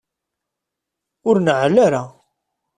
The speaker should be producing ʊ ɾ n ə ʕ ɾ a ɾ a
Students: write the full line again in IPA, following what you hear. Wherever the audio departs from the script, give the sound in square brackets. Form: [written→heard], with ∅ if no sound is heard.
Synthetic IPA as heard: ʊ ɾ n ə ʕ [ɾ→l] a ɾ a